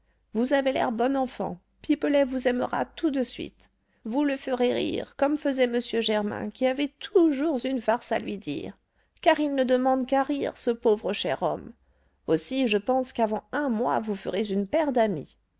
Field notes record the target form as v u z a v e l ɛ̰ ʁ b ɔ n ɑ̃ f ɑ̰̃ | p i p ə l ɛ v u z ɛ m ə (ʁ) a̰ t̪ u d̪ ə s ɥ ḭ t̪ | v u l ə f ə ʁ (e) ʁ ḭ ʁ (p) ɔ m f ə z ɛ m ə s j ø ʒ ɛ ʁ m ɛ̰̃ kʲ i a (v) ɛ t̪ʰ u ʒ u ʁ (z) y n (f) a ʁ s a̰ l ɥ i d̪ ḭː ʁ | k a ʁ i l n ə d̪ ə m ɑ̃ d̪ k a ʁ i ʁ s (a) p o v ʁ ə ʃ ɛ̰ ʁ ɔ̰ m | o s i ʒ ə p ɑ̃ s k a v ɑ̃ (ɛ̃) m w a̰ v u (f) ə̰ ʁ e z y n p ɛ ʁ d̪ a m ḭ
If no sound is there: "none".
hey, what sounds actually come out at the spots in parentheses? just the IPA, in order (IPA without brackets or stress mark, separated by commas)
ʁ, e, k, v, z, f, ə, ɛ̃, f